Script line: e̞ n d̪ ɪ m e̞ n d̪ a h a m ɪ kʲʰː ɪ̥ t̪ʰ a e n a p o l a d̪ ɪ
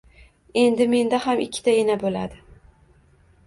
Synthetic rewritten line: e̞ n d̪ ɪ m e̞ n d̪ a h a m ɪ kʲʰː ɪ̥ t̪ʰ a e n a b o l a d̪ ɪ